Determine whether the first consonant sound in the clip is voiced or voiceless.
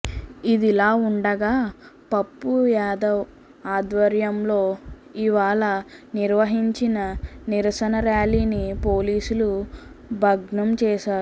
voiced